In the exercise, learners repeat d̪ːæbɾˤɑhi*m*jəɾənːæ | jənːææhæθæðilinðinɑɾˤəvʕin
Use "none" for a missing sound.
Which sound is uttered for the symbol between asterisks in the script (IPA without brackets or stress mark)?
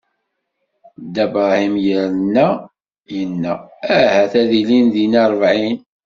m